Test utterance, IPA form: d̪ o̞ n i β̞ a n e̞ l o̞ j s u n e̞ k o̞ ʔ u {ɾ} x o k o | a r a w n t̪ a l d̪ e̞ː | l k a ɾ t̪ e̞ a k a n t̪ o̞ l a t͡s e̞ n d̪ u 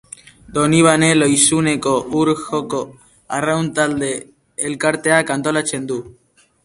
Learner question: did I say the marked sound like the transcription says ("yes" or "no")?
yes